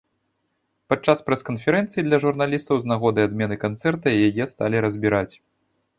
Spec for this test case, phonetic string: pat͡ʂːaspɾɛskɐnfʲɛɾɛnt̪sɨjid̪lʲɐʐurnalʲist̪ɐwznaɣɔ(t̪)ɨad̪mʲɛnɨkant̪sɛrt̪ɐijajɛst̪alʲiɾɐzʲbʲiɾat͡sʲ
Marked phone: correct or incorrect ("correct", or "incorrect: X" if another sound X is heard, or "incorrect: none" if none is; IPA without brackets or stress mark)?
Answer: incorrect: d̪